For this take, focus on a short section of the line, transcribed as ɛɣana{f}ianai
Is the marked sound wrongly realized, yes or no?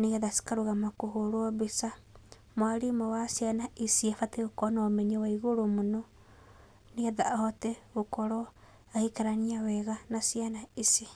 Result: yes